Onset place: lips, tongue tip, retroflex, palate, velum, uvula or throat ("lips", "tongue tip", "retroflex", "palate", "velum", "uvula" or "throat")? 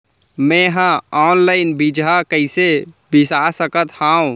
lips